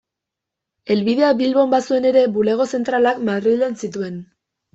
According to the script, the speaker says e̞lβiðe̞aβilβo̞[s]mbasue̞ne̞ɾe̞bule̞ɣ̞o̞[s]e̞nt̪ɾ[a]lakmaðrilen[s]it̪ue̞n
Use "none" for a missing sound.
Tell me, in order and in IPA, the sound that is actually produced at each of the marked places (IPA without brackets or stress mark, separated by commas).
none, s, a, s